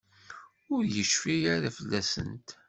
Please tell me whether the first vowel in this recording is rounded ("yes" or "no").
yes